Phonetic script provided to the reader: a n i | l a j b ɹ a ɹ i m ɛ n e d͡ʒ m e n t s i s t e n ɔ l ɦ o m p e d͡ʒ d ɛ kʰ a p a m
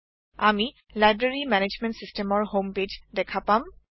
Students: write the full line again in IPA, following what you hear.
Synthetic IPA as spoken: a m i | l a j b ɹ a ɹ i m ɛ n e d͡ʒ m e n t s i s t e m ɔ ɹ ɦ o m p e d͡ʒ d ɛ kʰ a p a m